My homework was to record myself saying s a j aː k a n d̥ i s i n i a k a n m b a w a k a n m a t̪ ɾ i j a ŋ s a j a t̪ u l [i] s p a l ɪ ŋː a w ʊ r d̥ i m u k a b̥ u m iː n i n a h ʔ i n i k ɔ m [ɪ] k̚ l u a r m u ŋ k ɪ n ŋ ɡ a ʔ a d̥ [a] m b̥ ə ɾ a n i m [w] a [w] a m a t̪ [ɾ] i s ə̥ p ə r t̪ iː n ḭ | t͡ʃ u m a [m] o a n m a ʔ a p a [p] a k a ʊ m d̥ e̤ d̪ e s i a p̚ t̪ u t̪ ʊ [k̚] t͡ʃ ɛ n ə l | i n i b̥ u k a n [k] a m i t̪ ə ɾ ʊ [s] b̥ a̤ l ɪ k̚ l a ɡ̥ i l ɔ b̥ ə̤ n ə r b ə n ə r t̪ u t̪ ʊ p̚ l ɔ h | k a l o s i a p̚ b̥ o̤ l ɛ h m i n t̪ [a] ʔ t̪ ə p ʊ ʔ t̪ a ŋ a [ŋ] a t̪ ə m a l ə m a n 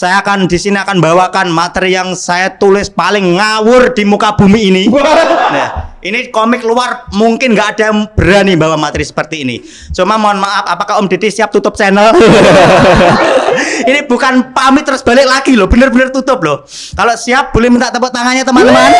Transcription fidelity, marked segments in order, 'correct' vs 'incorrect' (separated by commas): incorrect, correct, correct, incorrect, correct, correct, correct, correct, incorrect, incorrect, correct, correct, incorrect